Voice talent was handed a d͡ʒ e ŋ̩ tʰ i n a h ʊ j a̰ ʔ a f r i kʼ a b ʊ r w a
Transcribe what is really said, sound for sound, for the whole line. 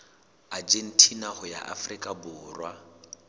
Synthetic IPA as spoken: a d͡ʒ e n̩ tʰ i n a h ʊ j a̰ ʔ a f r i kʼ a b ʊː r w a